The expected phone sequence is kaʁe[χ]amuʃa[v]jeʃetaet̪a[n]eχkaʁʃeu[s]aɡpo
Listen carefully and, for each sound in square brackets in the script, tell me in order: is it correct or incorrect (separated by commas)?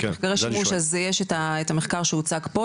incorrect, incorrect, incorrect, incorrect